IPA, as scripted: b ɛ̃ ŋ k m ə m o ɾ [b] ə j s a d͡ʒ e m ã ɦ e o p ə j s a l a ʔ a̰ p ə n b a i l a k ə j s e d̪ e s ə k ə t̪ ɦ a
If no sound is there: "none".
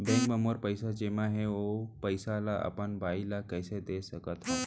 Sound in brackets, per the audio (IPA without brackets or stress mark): p